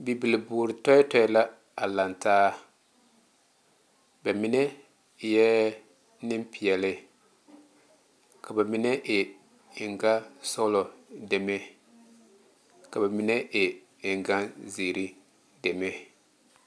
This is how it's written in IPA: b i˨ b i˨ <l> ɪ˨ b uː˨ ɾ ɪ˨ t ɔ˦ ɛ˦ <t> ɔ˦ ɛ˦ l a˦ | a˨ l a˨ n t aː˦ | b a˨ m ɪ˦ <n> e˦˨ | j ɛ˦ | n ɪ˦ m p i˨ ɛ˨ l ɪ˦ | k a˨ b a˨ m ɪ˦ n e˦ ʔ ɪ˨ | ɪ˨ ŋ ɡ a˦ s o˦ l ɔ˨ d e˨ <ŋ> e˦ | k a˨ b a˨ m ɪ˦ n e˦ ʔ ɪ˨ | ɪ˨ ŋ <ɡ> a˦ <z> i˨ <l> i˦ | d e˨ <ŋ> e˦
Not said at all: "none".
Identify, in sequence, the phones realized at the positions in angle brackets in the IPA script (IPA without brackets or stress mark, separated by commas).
l, t, n, m, ɡ, z, ɾ, m